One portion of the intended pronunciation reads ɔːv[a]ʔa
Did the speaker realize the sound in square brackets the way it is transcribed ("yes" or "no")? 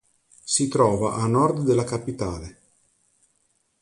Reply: yes